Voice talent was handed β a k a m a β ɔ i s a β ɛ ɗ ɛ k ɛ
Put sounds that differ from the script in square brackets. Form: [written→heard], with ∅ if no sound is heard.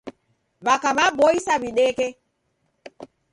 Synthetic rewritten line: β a k a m a [β→b] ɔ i s a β [ɛ→i] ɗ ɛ k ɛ